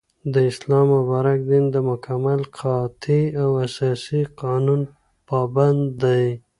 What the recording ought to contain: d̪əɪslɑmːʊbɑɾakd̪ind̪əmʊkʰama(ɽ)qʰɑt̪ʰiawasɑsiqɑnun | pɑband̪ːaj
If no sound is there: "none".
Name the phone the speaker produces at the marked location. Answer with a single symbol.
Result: l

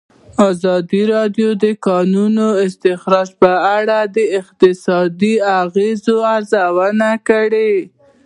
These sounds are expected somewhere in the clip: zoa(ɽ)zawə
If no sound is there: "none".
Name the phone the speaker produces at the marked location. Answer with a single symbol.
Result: ɾ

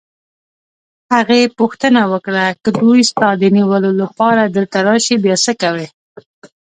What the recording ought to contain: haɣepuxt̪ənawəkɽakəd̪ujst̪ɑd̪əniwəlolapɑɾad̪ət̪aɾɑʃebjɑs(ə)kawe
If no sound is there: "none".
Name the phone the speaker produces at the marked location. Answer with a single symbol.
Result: ə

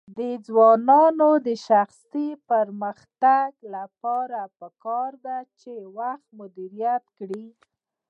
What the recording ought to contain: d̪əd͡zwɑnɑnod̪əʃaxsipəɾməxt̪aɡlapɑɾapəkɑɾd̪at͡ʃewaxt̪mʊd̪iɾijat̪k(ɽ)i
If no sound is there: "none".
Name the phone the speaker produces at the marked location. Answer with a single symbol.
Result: ɽ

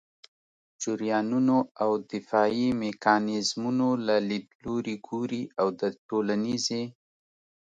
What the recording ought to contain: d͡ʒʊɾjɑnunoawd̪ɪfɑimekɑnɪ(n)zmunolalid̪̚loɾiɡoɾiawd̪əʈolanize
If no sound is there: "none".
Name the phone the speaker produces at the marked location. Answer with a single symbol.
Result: none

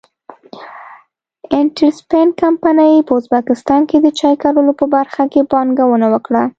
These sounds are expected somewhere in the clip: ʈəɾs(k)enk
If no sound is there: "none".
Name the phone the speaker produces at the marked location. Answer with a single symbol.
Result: p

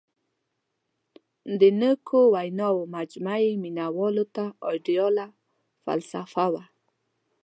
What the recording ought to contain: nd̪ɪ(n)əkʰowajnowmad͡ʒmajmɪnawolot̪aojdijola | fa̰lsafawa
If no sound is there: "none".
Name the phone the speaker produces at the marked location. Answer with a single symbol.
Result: n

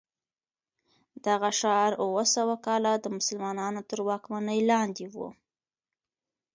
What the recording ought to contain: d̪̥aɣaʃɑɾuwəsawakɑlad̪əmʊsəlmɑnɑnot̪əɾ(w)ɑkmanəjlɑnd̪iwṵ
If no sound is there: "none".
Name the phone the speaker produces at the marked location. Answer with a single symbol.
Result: w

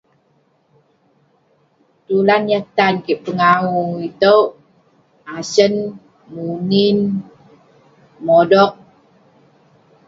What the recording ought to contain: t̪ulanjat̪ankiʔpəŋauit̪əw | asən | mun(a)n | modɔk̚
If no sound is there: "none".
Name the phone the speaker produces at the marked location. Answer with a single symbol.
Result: i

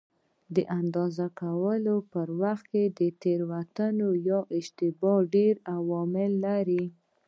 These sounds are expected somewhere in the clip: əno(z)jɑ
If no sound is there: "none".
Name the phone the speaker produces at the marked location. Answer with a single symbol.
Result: none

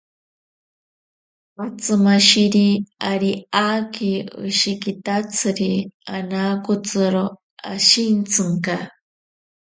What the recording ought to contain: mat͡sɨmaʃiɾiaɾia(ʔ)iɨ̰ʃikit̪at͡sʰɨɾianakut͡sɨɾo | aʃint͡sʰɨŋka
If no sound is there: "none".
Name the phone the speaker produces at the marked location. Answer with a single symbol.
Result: k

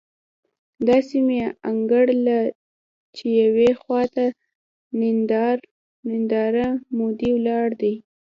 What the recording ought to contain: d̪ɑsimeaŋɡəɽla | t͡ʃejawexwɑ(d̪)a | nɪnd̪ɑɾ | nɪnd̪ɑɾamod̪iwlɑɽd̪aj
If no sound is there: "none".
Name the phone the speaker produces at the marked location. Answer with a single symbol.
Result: t̪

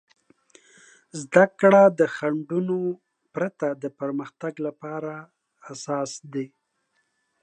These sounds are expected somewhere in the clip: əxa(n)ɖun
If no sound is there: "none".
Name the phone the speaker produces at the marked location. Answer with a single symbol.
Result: ɳ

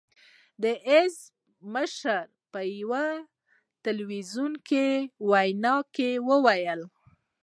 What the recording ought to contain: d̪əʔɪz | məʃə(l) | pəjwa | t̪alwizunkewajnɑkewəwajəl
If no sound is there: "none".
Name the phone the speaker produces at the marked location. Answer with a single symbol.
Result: ɾ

